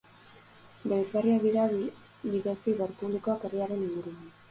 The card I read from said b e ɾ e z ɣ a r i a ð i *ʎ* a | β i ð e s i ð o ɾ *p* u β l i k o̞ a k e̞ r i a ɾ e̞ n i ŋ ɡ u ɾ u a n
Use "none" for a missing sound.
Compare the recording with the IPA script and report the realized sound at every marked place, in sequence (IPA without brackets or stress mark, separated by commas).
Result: ɾ, p